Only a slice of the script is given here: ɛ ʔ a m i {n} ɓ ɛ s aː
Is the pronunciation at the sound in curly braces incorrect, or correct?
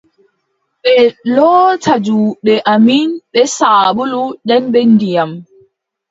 correct